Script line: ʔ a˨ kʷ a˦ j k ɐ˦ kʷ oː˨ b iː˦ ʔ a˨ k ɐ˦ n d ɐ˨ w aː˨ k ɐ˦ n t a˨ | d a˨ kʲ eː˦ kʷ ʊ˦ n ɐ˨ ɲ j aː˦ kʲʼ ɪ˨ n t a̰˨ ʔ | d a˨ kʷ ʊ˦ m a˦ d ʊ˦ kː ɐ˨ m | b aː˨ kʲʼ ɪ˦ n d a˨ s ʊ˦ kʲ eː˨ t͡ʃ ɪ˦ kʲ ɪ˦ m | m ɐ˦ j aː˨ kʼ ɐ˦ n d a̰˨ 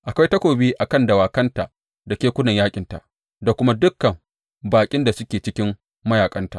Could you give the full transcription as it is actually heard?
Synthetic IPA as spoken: ʔ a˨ kʷ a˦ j t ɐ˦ kʷ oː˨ b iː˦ ʔ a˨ k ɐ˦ n d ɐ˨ w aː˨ k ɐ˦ n t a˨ | d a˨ kʲ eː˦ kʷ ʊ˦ n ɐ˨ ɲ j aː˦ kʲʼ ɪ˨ n t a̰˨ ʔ | d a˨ kʷ ʊ˦ m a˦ d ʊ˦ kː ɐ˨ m | b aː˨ kʲʼ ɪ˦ n d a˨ s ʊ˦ kʲ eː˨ t͡ʃ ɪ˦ kʲ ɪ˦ m | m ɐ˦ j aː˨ kʼ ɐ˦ n t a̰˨

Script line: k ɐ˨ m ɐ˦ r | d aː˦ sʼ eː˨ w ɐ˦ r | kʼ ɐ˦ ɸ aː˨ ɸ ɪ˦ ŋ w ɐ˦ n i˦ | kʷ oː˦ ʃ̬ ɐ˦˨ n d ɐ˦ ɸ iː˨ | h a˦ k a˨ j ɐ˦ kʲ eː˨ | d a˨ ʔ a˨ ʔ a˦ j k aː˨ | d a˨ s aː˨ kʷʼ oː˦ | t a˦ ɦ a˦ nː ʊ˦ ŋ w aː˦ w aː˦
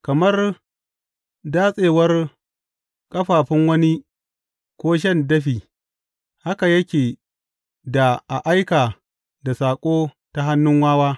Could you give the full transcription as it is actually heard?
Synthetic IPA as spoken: k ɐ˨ m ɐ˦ r | d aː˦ sʼ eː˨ w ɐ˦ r | kʼ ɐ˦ ɸ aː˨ ɸ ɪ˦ ŋ w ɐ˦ n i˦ | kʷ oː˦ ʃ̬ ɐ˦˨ n d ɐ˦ ɸ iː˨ | h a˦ k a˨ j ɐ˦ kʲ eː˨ | d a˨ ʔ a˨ ʔ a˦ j k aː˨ | d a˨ s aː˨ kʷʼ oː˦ | t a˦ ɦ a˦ nː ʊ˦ ŋ w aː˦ w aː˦

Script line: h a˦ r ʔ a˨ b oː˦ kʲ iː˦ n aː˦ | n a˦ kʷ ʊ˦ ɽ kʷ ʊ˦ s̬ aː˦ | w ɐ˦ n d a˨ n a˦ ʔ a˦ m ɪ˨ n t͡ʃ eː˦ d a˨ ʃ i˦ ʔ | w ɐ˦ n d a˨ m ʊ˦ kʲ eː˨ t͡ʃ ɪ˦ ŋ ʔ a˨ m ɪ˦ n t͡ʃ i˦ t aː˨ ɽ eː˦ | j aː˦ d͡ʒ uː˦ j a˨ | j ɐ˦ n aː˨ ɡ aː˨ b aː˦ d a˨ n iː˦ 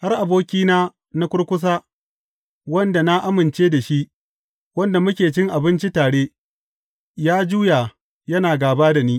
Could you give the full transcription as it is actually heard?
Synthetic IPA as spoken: h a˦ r ʔ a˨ b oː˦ kʲ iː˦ n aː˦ | n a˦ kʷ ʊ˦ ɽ kʷ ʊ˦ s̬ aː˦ | w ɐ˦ n d a˨ n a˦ ʔ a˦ m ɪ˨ n t͡ʃ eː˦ d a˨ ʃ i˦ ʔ | w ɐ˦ n d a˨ m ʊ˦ kʲ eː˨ t͡ʃ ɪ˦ ŋ ʔ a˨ b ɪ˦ n t͡ʃ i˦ t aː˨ ɽ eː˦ | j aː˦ d͡ʒ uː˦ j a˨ | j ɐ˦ n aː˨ ɡ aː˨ b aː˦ d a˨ n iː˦

